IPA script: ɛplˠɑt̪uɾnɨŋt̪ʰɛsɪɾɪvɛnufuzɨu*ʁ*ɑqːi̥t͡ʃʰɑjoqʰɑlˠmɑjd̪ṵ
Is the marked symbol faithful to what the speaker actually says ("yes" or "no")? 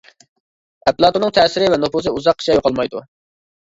no